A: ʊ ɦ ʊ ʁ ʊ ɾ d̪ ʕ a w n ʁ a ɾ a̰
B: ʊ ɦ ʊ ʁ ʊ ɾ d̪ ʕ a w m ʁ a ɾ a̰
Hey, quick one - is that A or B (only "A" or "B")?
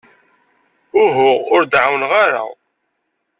A